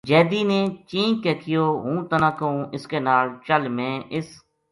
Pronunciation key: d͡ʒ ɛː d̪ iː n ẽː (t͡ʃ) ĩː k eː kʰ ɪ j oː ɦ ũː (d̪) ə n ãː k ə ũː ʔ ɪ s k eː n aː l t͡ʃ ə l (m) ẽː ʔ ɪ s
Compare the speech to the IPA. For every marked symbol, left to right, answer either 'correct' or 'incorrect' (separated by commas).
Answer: correct, incorrect, correct